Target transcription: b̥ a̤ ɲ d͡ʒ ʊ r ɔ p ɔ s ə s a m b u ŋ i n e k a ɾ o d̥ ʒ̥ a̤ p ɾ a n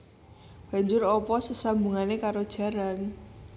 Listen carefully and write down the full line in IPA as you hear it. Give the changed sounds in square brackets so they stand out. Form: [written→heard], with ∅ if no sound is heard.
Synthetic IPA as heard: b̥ a̤ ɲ d͡ʒ ʊ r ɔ p ɔ s ə s a m b u ŋ [i→a] n e k a ɾ o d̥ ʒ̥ a̤ [p→∅] ɾ a n